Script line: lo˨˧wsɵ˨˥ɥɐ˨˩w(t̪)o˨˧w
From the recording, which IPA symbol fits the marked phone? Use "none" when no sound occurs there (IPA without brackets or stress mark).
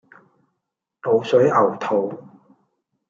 t̪ʰ